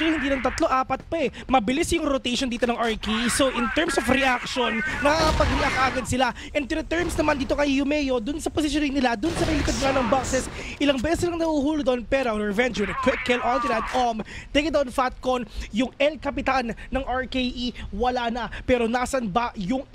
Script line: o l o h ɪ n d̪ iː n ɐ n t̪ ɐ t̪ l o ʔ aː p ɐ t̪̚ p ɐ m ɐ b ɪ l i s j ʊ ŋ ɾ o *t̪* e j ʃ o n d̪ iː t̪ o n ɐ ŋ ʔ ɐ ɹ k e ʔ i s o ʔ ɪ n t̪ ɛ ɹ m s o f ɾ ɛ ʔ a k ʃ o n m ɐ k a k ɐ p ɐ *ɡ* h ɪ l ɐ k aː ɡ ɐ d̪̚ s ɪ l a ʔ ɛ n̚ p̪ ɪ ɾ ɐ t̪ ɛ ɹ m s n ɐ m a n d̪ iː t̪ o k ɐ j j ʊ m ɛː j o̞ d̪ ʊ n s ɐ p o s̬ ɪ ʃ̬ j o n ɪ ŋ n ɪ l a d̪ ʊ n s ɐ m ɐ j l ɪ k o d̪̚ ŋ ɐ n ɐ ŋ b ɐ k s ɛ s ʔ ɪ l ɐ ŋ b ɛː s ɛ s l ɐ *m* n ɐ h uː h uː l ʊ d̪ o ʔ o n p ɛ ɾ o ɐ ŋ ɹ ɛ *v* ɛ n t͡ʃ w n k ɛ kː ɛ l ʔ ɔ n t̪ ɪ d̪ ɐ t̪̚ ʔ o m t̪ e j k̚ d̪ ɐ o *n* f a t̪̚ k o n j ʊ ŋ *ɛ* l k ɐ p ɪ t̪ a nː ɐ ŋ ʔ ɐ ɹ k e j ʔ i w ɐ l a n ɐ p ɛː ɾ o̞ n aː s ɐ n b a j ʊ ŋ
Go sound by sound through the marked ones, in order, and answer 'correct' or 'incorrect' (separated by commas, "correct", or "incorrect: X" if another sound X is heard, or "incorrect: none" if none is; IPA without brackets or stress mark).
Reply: correct, correct, incorrect: ŋ, correct, correct, correct